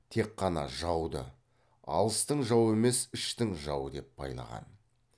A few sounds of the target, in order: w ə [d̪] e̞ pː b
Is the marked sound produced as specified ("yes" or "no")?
yes